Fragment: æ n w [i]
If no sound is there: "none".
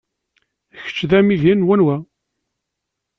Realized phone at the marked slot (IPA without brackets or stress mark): æ